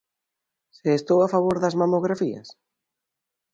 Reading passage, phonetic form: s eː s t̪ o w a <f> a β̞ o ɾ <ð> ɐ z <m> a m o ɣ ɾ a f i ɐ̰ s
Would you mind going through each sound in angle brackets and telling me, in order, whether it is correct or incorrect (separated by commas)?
correct, correct, correct